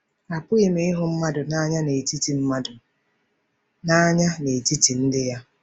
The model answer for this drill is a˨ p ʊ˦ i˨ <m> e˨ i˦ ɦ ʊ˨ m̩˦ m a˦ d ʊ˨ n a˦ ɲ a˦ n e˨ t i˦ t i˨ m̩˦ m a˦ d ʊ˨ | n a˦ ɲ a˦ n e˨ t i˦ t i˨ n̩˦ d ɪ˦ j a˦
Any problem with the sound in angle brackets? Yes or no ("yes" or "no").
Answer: no